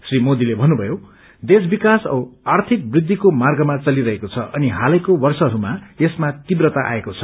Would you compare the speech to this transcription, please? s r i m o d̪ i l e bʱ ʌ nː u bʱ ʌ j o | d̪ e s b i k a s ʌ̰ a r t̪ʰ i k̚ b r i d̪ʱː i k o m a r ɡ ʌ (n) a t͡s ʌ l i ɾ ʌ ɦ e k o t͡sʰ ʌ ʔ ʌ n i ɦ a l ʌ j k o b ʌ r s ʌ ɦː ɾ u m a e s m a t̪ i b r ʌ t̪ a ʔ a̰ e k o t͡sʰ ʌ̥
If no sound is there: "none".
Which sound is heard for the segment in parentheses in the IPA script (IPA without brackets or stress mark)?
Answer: m